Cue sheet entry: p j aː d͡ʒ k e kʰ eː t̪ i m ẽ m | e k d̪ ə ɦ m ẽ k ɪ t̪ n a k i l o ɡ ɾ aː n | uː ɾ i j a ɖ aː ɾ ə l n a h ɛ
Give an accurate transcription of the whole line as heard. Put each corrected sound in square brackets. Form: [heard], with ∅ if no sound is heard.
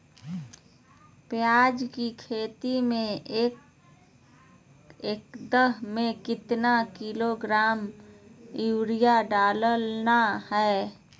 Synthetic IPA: p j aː d͡ʒ k [i] kʰ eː t̪ i m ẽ [∅] | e k d̪ ə ɦ m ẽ k ɪ t̪ n a k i l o ɡ ɾ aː [m] | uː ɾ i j a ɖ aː [l] ə l n a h ɛ